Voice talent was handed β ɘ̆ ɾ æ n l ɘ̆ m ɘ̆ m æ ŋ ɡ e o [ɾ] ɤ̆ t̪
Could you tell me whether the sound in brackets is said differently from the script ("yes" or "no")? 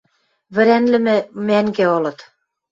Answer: yes